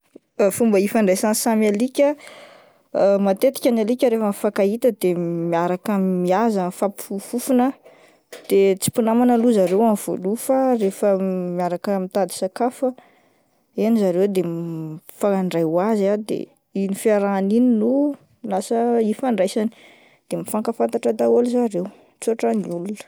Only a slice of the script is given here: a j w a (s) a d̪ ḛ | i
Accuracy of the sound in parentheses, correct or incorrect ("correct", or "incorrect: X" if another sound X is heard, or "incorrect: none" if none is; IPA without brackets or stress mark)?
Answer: incorrect: z